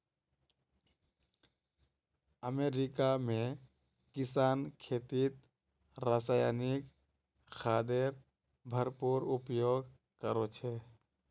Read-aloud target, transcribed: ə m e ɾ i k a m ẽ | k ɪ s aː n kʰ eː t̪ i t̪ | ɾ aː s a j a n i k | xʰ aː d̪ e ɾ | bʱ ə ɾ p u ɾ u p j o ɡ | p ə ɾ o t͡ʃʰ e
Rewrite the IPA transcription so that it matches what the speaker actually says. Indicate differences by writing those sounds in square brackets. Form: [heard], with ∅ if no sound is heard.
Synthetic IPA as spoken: ə m e ɾ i k a m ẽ | k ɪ s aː n kʰ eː t̪ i t̪ | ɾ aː s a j a n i k | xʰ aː d̪ e ɾ | bʱ ə ɾ p u ɾ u p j o ɡ | [k] ə ɾ o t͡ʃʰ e